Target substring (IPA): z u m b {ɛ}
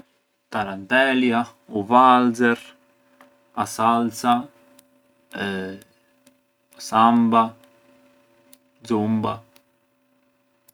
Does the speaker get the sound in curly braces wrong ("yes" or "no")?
yes